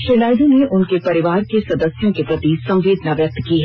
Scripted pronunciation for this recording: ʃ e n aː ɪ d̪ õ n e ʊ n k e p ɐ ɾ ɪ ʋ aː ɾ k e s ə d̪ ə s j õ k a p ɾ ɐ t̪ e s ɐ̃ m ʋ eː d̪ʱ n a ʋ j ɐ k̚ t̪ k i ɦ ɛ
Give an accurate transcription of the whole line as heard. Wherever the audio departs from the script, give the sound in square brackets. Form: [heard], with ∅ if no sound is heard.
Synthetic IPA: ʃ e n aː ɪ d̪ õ n e ʊ n k e p ɐ ɾ ɪ ʋ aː ɾ k e s [ɐ] d̪ ə s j õ k [e] p ɾ ɐ t̪ [i] s ɐ̃ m ʋ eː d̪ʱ n a ʋ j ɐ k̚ t̪ k i ɦ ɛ